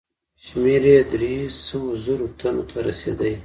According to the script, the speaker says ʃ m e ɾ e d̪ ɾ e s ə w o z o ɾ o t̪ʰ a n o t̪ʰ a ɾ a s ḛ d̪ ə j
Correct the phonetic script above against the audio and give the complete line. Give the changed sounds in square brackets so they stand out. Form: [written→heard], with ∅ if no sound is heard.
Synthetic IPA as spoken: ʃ m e ɾ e d̪ ɾ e s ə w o z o ɾ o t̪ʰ a n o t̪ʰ a ɾ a s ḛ d̪ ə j